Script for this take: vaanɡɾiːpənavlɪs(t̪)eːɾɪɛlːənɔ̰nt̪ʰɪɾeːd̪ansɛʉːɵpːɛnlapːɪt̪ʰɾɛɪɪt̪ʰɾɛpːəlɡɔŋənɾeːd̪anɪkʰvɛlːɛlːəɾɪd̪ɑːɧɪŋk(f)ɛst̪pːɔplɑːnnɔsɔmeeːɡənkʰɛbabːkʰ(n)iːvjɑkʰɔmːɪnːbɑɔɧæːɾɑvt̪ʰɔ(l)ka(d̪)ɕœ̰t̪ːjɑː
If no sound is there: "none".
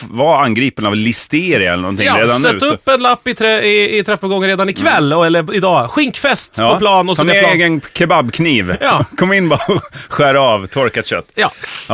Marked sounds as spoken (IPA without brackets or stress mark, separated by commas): t̪, f, n, ɾ, t̪